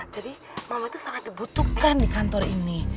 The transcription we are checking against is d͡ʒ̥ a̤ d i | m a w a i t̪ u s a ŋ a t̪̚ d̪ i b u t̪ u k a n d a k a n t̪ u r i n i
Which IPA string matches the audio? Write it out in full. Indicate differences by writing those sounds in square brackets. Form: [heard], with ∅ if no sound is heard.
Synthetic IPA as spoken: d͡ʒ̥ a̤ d i | m a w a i t̪ u s a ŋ a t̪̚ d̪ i b u t̪ u k a n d [i] k a n t̪ [ɔ] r i n i